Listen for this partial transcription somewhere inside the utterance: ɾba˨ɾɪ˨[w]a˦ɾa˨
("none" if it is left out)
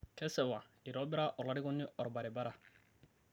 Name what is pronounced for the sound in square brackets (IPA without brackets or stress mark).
b